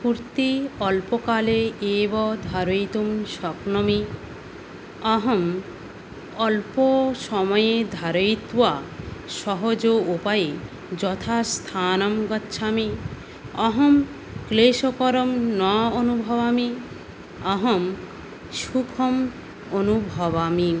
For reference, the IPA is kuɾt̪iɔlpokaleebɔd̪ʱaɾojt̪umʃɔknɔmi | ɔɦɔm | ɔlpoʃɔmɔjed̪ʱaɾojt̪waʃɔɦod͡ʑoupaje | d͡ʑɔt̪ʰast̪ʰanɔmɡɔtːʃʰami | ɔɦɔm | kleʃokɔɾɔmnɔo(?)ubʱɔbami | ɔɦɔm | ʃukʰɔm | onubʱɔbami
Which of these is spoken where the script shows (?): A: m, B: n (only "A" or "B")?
B